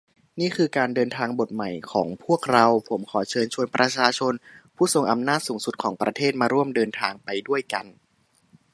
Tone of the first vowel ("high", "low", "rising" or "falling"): falling